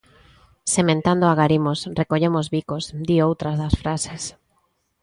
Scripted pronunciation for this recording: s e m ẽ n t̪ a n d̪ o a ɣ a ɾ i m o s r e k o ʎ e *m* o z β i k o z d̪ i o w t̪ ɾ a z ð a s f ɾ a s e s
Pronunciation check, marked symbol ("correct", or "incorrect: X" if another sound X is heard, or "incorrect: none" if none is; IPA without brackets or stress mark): correct